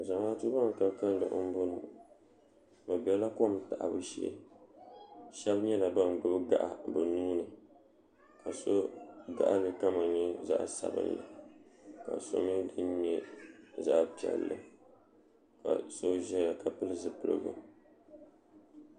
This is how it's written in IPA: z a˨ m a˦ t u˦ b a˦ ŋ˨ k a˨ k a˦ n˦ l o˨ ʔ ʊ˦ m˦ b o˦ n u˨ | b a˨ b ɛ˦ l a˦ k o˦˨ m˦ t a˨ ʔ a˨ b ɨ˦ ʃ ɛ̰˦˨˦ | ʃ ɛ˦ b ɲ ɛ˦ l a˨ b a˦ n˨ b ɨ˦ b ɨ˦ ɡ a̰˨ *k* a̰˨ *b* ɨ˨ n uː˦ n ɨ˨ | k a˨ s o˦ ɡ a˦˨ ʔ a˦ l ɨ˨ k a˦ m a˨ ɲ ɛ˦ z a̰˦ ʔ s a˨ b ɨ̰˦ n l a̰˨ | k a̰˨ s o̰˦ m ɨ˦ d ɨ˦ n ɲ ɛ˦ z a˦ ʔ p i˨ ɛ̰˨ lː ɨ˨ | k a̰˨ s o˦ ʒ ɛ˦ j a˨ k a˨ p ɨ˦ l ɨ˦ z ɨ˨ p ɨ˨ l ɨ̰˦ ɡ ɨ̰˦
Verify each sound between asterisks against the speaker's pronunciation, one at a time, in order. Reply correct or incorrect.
incorrect, correct

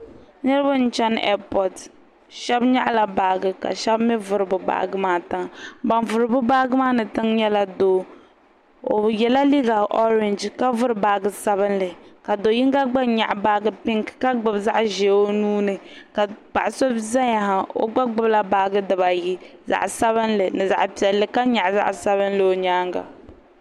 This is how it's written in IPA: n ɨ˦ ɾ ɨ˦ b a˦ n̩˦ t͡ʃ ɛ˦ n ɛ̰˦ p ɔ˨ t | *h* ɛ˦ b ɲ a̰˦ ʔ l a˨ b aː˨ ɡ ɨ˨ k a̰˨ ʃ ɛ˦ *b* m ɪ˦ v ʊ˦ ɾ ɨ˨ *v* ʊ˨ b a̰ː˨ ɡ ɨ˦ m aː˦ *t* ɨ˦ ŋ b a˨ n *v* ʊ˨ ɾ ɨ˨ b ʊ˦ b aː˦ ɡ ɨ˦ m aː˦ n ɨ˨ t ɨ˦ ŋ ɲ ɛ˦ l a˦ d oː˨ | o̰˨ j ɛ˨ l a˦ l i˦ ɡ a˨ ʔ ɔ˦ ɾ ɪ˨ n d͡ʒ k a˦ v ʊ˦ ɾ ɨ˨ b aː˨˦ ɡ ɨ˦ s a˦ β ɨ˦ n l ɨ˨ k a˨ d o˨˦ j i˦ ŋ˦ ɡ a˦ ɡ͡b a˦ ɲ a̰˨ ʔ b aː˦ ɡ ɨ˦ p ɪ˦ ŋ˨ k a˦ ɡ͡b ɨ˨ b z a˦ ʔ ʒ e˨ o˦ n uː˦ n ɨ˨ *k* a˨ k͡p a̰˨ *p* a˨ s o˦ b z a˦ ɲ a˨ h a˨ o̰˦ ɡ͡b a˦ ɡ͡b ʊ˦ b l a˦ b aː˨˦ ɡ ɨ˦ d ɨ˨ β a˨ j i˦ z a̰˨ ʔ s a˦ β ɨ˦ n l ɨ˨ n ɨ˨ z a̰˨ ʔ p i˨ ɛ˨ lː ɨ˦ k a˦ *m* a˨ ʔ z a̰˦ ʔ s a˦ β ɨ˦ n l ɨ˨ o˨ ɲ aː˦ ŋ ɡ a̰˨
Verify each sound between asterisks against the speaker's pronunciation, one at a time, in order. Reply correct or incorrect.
incorrect, correct, incorrect, correct, correct, correct, incorrect, incorrect

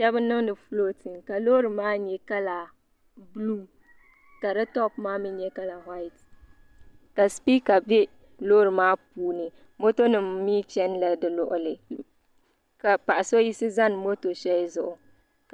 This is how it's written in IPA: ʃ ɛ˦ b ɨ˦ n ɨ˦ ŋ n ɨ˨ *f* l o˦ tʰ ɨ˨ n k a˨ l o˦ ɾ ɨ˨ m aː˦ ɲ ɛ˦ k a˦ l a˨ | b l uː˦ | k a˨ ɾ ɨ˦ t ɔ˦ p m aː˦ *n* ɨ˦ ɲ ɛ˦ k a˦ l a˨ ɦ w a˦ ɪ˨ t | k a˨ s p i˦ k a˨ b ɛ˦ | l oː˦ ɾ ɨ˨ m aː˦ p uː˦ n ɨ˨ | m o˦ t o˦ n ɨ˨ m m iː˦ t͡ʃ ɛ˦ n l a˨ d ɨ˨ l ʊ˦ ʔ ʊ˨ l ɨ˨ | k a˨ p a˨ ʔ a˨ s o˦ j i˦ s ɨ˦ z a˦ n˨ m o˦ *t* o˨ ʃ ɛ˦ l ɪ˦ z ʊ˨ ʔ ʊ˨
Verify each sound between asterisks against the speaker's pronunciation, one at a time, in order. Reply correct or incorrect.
correct, incorrect, correct

